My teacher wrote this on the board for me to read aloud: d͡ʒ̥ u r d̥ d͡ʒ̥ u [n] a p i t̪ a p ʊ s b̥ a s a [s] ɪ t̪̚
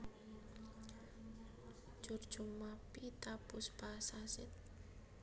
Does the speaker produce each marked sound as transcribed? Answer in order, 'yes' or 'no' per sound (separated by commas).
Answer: no, yes